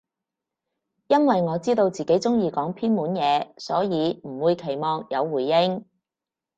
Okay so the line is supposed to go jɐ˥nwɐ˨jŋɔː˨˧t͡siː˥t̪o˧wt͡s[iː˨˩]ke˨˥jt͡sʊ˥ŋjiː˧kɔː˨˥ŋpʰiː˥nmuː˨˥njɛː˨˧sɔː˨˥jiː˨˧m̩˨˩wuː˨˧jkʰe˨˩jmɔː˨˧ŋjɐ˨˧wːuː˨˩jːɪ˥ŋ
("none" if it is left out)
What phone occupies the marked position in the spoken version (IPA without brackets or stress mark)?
iː˨˩